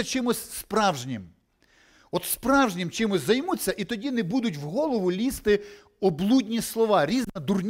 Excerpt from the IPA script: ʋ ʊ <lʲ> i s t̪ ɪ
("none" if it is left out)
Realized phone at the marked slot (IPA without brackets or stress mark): lʲ